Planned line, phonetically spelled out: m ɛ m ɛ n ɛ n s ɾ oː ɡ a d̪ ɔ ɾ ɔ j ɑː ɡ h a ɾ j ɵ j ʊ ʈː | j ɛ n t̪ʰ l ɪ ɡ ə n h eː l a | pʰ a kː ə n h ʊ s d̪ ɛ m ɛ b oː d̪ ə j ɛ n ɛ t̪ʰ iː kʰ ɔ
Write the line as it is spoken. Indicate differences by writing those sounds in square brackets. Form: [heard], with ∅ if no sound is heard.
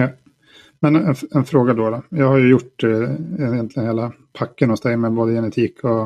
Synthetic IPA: m ɛ [n] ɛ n ɛ n [f] ɾ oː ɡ a d̪ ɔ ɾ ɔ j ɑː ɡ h a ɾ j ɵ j ʊ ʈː | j ɛ n [t̪] l ɪ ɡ ə n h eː l a | pʰ a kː ə n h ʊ s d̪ ɛ m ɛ b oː d̪ ə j ɛ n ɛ t̪ʰ iː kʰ ɔ